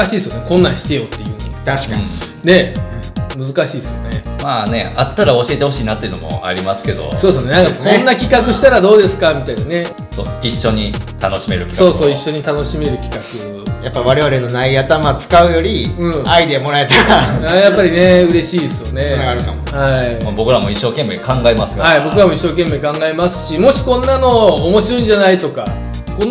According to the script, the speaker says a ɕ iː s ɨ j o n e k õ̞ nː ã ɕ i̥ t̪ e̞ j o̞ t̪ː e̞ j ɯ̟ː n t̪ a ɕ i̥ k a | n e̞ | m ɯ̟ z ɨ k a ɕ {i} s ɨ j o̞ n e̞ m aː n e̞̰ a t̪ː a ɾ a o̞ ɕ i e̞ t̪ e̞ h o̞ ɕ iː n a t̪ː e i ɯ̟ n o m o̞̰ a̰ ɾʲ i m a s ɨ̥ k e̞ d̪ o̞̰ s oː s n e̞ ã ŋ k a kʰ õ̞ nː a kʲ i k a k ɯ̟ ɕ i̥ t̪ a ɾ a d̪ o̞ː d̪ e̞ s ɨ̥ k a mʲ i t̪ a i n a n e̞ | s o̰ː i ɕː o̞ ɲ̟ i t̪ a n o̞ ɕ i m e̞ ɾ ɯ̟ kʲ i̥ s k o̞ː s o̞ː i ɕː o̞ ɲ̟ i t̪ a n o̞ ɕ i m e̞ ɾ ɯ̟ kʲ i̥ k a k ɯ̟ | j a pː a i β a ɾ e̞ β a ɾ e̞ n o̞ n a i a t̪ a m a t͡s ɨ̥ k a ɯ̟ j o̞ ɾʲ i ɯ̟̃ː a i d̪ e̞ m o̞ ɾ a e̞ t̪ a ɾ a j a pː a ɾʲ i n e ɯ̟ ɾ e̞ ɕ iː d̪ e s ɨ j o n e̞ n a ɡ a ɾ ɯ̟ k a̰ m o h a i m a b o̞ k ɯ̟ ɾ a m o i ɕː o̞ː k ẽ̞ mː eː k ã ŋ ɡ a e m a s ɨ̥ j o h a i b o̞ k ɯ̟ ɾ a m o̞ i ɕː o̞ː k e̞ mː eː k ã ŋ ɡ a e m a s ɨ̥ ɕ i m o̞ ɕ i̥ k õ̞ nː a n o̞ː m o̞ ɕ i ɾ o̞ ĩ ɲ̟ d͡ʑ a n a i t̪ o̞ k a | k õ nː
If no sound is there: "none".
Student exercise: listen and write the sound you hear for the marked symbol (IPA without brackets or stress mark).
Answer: iː